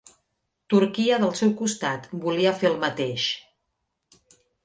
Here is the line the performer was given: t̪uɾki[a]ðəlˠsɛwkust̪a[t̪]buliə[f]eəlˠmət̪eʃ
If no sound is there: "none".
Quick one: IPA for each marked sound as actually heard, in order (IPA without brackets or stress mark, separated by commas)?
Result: ə, t̪, f